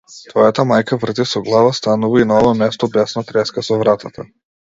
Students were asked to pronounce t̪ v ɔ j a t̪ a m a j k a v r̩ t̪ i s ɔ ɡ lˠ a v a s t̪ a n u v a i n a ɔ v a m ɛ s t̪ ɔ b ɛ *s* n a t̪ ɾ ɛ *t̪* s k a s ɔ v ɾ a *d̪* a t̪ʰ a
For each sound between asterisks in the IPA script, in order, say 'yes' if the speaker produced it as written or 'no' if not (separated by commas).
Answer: yes, no, no